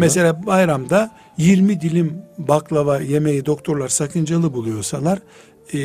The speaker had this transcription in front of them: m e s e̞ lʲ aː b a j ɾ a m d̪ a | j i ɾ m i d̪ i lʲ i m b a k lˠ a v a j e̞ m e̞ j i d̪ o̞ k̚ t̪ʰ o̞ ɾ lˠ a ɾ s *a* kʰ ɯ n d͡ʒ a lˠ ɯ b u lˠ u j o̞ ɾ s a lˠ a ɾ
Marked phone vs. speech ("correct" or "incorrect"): correct